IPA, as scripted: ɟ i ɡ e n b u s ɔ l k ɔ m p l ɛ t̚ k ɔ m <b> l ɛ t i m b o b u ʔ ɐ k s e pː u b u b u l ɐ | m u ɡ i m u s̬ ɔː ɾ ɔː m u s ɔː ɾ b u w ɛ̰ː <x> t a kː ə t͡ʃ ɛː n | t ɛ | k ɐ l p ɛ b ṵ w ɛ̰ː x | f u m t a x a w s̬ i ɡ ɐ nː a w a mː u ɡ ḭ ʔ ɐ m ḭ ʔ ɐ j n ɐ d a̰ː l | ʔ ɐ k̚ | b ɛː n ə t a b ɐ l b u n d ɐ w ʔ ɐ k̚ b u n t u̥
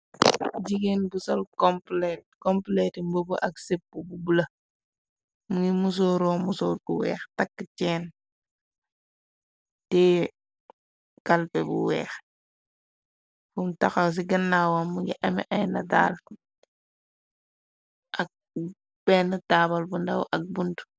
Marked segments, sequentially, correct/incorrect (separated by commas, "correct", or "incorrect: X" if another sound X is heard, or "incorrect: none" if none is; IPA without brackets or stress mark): incorrect: p, correct